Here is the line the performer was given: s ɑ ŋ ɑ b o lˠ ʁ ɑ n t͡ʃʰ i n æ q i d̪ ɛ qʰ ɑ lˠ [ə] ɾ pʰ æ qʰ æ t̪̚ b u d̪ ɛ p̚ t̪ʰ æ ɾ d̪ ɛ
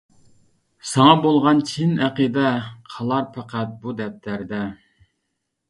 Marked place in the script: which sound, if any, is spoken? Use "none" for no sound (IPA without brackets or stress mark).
ɑ